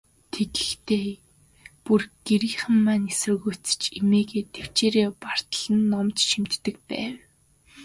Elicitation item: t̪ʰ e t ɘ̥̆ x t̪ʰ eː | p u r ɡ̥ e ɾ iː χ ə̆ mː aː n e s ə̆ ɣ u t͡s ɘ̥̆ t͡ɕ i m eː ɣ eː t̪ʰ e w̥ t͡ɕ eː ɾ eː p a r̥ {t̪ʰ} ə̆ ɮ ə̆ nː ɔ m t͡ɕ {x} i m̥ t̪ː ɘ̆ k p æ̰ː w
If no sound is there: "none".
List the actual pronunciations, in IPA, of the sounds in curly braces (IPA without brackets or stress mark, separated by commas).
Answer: t̪, ʃ